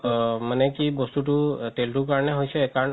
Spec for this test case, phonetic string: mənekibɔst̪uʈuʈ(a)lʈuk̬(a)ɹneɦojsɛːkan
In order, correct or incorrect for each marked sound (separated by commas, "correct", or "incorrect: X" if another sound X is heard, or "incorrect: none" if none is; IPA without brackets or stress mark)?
incorrect: e, correct